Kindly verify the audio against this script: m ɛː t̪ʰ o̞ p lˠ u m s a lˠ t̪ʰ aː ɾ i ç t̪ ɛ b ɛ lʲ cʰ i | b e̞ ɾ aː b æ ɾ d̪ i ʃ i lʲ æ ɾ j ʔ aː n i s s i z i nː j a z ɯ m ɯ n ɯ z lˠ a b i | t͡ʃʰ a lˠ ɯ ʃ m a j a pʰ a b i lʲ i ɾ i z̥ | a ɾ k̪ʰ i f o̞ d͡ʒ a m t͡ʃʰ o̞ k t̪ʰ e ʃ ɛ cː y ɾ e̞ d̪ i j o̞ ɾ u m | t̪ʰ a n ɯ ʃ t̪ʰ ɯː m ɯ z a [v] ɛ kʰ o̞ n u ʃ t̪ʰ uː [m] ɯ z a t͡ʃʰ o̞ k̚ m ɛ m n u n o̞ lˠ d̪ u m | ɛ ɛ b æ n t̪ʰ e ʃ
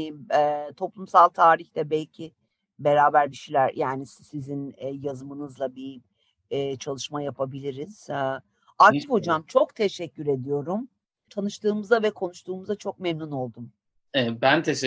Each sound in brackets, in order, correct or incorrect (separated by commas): correct, correct